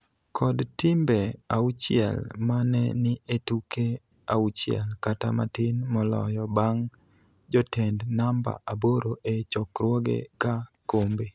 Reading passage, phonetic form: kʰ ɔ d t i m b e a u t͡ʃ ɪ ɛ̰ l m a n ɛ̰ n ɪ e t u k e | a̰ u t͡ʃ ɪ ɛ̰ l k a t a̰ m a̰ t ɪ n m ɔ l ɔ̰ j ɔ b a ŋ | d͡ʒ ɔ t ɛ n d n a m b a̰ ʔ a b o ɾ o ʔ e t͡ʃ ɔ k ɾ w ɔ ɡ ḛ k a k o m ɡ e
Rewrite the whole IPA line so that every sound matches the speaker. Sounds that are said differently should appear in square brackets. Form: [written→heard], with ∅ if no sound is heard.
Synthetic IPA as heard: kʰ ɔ d t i m b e a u t͡ʃ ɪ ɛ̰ l m a n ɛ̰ n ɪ e t u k e | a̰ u t͡ʃ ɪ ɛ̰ l k a t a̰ m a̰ t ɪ n m ɔ l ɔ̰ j ɔ b a ŋ | d͡ʒ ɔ t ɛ n d n a m b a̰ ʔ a b o ɾ o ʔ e t͡ʃ ɔ k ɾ w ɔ ɡ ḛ k a k o m [ɡ→b] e